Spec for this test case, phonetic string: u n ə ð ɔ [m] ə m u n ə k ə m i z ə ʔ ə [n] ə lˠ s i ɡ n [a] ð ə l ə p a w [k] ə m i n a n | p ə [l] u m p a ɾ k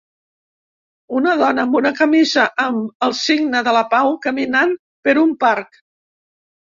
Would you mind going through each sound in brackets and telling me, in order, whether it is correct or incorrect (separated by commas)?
incorrect, incorrect, incorrect, correct, incorrect